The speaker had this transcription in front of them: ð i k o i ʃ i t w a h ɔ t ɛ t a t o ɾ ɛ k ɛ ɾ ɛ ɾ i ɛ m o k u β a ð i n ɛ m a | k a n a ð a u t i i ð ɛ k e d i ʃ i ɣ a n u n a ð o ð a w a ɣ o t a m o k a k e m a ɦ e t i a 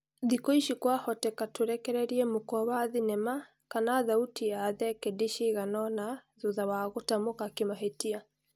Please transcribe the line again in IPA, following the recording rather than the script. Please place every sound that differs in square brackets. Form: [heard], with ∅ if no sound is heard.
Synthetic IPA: ð i k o i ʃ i [k] w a h ɔ t ɛ [k] a t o ɾ ɛ k ɛ ɾ ɛ ɾ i ɛ m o k [ɔ] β a ð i n ɛ m a | k a n a ð a u t i [a] ð ɛ k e d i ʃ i ɣ a n [ɔ] n a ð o ð a w a ɣ o t a m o k a k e m a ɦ e t i a